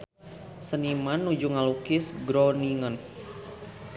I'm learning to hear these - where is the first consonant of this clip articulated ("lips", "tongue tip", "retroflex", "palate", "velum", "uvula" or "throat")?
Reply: tongue tip